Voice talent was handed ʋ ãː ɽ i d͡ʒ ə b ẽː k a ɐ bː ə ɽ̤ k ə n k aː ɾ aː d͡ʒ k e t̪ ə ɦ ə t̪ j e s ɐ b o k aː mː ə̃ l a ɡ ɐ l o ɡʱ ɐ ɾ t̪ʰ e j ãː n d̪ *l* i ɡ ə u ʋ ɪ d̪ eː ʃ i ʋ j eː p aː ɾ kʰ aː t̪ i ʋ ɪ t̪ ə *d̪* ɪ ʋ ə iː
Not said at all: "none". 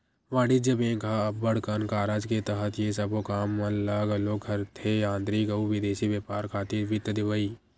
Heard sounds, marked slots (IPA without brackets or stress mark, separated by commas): ɾ, d̪